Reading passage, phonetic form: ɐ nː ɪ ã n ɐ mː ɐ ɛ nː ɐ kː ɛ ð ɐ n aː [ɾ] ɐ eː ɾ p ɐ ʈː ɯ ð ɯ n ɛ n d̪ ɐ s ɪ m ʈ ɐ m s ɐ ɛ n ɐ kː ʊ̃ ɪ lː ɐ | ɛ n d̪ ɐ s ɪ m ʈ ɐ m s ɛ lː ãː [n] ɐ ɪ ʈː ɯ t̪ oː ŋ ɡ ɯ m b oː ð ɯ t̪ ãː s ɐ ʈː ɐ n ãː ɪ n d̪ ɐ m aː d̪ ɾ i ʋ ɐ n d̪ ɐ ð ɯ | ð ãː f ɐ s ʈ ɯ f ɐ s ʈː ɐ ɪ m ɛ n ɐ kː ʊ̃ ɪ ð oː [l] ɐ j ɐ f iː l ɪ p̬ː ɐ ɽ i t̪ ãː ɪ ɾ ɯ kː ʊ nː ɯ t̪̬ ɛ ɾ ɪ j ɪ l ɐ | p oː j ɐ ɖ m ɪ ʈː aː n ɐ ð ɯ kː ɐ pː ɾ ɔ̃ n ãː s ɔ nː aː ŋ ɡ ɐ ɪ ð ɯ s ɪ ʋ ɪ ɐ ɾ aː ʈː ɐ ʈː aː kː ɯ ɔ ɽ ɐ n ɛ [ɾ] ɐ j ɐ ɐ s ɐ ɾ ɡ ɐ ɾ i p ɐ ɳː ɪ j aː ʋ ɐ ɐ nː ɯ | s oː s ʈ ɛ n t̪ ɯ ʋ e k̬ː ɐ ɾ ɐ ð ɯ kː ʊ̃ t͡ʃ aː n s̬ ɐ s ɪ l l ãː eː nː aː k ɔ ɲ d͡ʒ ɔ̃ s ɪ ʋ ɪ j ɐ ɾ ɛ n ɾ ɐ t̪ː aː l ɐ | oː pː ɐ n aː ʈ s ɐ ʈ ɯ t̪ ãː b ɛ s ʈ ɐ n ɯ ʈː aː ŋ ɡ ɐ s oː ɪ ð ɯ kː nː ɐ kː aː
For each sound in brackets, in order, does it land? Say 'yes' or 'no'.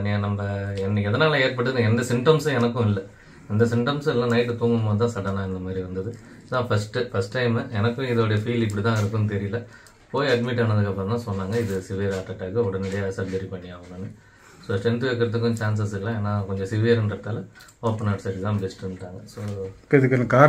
no, yes, no, no

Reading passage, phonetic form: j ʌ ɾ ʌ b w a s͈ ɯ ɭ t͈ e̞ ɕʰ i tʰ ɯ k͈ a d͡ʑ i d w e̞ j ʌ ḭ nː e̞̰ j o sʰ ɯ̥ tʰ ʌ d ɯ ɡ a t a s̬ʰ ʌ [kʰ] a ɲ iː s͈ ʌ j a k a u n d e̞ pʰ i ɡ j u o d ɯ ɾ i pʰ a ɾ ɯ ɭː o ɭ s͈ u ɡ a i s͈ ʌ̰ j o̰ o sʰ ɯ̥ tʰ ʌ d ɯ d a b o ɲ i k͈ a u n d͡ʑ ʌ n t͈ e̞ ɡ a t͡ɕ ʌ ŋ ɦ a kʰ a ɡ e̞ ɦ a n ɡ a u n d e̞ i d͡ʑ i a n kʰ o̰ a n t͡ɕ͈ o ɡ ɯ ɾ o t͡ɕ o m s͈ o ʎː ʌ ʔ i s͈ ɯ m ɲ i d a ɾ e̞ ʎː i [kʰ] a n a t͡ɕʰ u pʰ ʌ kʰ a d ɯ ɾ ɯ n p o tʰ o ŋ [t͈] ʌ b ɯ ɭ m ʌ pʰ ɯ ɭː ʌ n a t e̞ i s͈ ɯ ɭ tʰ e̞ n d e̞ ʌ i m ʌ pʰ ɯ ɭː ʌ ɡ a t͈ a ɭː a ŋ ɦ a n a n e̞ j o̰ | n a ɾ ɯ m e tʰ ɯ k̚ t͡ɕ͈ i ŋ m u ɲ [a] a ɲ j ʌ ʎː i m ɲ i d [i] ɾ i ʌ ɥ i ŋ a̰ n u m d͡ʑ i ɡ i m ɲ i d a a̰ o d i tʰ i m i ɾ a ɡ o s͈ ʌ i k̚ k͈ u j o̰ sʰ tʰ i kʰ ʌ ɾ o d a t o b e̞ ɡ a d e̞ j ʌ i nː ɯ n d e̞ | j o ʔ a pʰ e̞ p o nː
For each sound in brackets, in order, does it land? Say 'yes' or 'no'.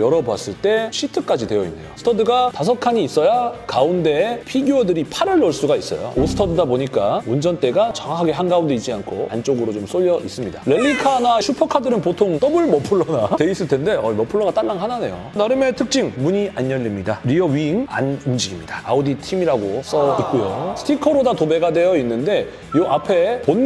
yes, yes, yes, no, no

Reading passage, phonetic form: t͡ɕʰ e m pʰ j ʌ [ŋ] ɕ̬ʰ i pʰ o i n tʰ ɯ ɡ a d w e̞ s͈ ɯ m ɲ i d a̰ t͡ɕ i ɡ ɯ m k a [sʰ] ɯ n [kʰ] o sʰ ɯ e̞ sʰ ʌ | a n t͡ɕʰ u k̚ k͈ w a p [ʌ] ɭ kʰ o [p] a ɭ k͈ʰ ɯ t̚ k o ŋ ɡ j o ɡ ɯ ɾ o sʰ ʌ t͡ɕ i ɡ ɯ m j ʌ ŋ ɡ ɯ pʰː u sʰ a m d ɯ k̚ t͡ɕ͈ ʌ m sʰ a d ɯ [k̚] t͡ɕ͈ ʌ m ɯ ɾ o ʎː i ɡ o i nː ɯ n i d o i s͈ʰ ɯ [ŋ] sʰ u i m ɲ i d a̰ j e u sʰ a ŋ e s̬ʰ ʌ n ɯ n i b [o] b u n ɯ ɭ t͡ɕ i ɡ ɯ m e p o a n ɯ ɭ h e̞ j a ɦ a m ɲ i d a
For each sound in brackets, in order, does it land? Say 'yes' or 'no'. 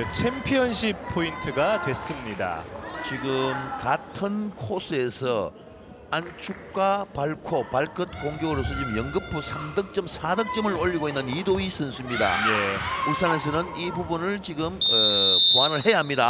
no, no, yes, no, yes, yes, no, no

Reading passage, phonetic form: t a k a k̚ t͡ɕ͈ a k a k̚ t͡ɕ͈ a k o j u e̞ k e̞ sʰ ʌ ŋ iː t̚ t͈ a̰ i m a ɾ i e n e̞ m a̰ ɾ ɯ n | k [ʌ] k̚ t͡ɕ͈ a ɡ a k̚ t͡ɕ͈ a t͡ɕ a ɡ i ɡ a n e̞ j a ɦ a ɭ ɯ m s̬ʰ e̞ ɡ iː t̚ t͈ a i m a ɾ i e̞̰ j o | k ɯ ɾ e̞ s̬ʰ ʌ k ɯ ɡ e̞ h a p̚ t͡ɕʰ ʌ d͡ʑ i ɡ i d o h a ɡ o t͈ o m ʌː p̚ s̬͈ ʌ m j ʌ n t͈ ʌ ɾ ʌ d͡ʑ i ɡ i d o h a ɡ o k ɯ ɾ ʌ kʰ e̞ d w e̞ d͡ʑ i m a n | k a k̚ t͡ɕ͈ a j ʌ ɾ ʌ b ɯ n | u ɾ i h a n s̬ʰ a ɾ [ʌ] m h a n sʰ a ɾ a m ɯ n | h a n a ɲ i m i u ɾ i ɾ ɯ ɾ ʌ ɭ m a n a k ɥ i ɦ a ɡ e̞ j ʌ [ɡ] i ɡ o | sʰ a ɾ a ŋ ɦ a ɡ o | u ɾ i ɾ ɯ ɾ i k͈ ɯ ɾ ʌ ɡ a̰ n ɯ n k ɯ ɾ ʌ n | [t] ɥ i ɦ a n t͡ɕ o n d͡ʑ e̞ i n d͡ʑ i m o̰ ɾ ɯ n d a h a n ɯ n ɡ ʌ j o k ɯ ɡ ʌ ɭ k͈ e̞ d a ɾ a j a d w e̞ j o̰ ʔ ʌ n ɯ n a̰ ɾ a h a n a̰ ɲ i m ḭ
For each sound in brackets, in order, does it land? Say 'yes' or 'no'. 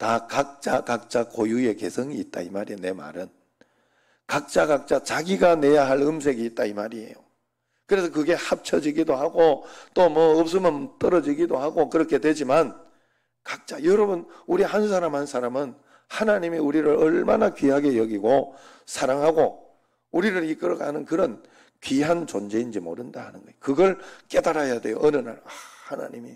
no, no, yes, no

